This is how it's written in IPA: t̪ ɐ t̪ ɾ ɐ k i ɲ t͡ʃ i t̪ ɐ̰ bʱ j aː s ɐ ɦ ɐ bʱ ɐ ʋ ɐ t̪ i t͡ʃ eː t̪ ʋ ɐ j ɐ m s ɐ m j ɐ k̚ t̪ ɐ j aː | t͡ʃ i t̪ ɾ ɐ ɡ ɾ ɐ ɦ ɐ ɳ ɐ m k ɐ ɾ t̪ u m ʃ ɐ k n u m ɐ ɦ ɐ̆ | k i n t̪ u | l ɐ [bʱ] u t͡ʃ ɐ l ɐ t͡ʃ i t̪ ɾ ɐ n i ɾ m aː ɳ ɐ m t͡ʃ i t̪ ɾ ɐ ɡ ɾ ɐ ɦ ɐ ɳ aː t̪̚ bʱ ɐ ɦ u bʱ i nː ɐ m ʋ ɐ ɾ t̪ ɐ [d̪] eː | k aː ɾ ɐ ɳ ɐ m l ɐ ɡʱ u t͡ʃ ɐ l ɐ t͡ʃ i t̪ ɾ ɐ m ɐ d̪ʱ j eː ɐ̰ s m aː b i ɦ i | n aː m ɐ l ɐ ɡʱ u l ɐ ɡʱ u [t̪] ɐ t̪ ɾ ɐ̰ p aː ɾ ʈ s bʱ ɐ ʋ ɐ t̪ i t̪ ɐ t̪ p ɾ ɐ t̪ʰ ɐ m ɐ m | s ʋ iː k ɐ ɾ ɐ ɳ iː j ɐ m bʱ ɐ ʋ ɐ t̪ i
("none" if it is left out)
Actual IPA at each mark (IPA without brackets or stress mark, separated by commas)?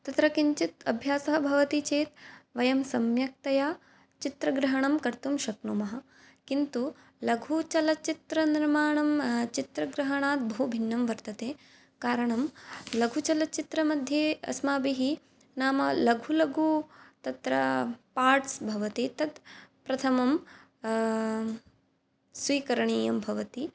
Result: ɡʱ, t̪, t̪